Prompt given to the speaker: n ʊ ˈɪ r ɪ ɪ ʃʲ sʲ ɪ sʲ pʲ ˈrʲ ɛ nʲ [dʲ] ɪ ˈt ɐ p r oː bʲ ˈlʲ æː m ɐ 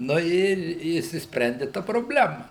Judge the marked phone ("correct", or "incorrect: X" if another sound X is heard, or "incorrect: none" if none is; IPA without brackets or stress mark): correct